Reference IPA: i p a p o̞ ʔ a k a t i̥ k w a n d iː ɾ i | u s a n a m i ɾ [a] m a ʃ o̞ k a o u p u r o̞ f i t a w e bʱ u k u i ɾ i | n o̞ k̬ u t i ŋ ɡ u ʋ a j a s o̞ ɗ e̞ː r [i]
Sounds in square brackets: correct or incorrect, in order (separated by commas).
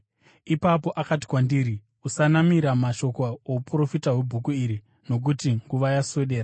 correct, incorrect